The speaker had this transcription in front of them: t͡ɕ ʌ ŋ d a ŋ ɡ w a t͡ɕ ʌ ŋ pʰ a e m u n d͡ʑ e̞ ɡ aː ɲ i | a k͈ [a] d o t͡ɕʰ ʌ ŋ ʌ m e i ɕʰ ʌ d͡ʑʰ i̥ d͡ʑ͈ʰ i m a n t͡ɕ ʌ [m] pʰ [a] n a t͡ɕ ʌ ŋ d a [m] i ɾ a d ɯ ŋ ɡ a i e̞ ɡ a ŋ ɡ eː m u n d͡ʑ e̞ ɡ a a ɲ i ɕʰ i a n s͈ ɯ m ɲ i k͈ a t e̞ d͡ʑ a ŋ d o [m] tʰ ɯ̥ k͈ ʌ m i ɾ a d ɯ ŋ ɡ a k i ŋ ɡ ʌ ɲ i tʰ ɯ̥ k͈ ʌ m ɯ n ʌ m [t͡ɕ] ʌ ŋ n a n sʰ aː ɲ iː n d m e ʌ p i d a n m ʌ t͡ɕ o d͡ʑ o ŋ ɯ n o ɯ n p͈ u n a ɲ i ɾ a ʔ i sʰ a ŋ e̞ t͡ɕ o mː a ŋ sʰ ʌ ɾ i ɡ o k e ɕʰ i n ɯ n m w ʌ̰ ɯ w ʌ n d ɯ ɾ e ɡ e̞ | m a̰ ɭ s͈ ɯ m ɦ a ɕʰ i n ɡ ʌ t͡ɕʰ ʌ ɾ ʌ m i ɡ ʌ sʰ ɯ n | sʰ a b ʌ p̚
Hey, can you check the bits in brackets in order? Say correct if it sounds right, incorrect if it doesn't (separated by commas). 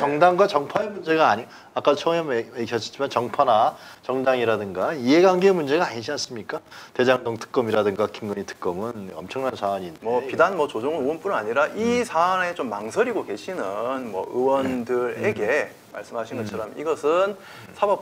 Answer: correct, incorrect, correct, incorrect, incorrect, incorrect